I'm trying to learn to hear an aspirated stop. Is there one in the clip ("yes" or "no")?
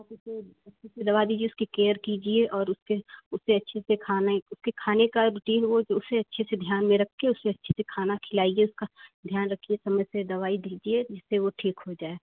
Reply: yes